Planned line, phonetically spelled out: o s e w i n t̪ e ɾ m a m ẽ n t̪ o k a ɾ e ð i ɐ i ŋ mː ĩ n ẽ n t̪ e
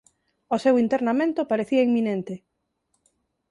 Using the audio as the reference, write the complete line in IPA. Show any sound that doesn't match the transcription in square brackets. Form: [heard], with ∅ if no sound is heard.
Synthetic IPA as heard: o s e w i n t̪ e ɾ [n] a m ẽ n t̪ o [p] a ɾ e [θ] i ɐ i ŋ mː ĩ n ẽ n t̪ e

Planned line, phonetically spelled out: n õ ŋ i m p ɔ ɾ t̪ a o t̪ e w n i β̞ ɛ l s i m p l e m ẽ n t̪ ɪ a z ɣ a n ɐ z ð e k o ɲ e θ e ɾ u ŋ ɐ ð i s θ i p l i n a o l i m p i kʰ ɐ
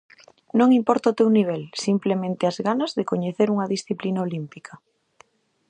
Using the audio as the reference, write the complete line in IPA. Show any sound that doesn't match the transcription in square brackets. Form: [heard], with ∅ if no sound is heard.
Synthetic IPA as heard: n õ ŋ i m p ɔ ɾ t̪ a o t̪ e w n i β̞ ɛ l s i m p l e m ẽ n t̪ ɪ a z ɣ a n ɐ z ð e k o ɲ e θ e ɾ u ŋ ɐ ð i s θ i p l i n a o l i m p i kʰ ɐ

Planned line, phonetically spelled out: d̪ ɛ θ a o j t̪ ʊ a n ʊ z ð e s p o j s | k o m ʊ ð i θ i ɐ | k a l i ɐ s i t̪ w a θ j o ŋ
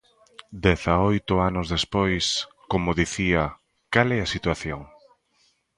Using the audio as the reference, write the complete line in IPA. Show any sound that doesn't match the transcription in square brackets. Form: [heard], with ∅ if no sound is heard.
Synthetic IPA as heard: d̪ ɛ θ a o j t̪ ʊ a n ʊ z ð e s p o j s | k o m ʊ ð i θ i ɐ | k a l [ɛ] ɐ s i t̪ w a θ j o ŋ

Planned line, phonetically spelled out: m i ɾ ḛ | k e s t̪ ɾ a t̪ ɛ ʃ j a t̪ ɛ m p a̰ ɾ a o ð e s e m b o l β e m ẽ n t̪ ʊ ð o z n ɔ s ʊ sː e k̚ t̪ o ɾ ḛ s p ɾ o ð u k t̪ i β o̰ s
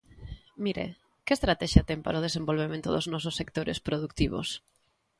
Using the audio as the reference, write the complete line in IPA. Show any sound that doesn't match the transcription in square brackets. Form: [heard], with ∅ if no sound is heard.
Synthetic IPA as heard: m i ɾ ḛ | k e s t̪ ɾ a t̪ ɛ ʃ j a t̪ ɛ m p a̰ ɾ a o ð e s e m b o l β e m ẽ n t̪ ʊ ð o z n ɔ s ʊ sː e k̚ t̪ o ɾ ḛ s p ɾ o ð u k t̪ i β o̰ s

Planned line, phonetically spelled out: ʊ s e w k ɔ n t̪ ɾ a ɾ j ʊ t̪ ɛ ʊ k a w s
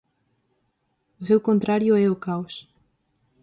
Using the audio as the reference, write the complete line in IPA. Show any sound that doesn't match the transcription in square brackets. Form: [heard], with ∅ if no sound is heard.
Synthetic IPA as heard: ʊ s e w k [o] n t̪ ɾ a ɾ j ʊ [∅] ɛ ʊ k a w s

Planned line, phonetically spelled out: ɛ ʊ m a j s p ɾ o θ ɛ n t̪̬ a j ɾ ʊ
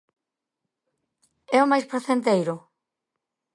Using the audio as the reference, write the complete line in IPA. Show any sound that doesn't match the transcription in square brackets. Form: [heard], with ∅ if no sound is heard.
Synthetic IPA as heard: ɛ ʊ m a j s p ɾ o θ [e] n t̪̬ [e] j ɾ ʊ

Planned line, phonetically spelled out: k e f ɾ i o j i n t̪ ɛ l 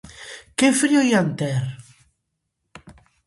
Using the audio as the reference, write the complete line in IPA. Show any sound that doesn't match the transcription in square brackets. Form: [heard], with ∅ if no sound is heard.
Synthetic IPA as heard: k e f ɾ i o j [a] n t̪ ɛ [ɾ]

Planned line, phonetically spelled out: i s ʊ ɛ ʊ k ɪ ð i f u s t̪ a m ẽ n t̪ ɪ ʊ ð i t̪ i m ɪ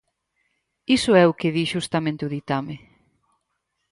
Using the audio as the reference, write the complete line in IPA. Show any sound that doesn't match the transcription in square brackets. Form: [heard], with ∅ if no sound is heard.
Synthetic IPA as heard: i s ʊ ɛ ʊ k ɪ ð i [ʃ] u s t̪ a m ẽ n t̪ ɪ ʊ ð i t̪ [a] m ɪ

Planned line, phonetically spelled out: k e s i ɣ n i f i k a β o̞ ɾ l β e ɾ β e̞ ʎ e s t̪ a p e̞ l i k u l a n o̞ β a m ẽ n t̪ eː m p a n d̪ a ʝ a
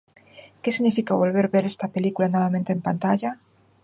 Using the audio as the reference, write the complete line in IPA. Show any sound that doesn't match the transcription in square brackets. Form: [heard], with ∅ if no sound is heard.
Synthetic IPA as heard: k e s i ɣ n i f i k a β o̞ [∅] l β e ɾ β e̞ [ɾ] e s t̪ a p e̞ l i k u l a n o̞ β a m ẽ n t̪ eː m p a n [t̪] a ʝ a

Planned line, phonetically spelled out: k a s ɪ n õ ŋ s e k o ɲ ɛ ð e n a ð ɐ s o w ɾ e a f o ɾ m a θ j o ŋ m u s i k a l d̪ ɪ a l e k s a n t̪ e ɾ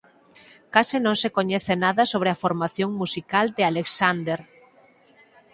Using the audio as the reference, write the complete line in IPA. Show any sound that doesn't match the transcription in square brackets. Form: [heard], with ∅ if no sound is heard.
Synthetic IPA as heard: k a s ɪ n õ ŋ s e k o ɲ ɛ [θ] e n a ð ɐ s o [β] ɾ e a f o ɾ m a θ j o ŋ m u s i k a l d̪ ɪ a l e k s a n [d̪] e ɾ

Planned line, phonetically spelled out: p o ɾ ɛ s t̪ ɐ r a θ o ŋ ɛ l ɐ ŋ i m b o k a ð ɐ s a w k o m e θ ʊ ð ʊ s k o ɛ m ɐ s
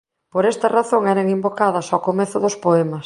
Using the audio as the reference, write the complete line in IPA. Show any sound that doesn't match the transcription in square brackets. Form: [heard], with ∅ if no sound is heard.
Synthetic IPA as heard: p o ɾ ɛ s t̪ ɐ r a θ o ŋ ɛ [ɾ] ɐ ŋ i m b o k a ð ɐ s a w k o m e θ ʊ ð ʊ s [p] o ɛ m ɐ s

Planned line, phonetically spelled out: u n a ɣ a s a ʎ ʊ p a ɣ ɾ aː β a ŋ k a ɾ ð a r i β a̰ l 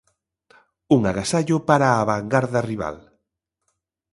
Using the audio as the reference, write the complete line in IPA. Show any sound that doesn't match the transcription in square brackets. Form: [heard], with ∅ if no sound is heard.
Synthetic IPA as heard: u [ŋ] a ɣ a s a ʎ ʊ p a [∅] ɾ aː β a ŋ [ɡ] a ɾ ð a r i β a̰ l

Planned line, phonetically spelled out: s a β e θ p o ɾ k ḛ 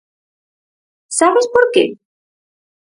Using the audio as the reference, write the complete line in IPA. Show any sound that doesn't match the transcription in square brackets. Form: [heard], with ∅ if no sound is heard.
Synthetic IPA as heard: s a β e [s] p o ɾ k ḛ

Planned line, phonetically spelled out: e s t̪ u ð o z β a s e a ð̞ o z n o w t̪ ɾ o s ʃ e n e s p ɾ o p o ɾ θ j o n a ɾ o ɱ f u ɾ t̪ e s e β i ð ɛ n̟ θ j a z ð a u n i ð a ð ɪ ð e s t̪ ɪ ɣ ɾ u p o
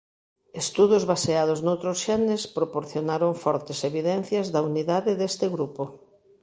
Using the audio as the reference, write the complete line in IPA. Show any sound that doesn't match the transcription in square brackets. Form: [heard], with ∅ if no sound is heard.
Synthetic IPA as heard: e s t̪ u ð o z β a s e a ð̞ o z n o w t̪ ɾ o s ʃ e n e s p ɾ o p o ɾ θ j o n a ɾ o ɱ f [ɔ] ɾ t̪ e s e β i ð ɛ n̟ θ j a z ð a u n i ð a ð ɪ ð e s t̪ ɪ ɣ ɾ u p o

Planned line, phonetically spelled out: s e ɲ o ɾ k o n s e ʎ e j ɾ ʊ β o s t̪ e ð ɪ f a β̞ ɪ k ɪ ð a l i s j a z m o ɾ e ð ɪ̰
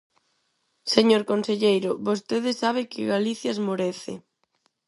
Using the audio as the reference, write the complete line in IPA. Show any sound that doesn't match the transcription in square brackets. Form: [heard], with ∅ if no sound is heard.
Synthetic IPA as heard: s e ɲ o ɾ k o n s e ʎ e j ɾ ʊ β o s t̪ e ð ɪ [s] a β̞ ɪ k ɪ [ɣ] a l i [θ] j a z m o ɾ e [θ] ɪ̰

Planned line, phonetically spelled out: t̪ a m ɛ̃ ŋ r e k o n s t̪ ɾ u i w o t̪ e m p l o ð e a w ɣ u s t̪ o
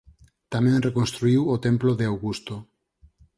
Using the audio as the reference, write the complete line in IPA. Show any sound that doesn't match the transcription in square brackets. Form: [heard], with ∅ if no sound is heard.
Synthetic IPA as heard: t̪ a m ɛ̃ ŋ r e k o n s t̪ ɾ u i w o t̪ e m p l o ð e a w ɣ u s t̪ o

